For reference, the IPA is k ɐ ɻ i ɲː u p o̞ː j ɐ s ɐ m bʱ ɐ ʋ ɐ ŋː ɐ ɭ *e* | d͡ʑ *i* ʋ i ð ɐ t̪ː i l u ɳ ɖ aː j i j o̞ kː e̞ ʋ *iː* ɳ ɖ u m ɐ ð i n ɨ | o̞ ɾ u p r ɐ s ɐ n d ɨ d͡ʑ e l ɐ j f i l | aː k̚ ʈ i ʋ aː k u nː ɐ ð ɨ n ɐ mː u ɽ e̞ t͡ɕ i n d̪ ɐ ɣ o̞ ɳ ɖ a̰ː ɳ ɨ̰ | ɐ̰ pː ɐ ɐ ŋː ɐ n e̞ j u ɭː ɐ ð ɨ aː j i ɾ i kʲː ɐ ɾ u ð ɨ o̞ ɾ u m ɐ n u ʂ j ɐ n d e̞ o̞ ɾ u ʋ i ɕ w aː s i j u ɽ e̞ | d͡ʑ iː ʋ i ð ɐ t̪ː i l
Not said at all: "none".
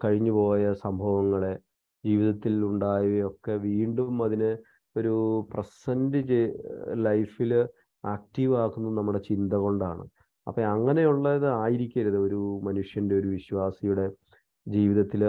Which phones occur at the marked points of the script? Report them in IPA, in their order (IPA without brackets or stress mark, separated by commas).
e, iː, iː